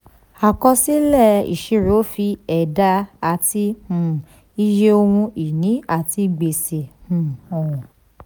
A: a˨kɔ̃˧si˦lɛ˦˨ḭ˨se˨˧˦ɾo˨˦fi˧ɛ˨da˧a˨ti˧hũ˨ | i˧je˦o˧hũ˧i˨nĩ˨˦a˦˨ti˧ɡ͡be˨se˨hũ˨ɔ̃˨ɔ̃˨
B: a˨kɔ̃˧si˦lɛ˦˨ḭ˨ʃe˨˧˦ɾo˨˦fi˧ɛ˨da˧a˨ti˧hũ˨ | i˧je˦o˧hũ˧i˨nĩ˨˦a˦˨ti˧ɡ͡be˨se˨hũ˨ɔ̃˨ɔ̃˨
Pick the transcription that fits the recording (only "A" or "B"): B